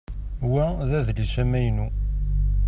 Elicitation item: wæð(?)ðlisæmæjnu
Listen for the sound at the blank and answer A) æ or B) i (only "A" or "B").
A